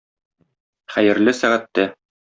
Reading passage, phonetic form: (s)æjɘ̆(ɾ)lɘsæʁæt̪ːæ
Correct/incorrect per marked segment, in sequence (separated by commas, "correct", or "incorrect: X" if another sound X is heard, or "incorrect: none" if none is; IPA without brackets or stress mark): incorrect: χ, correct